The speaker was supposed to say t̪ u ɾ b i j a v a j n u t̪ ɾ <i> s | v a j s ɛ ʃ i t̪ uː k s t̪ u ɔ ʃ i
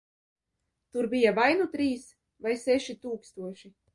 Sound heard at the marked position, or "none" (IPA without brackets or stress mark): iː